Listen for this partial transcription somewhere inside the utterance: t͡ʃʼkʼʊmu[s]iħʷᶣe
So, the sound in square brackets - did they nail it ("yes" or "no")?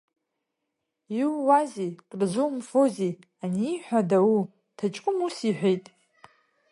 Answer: yes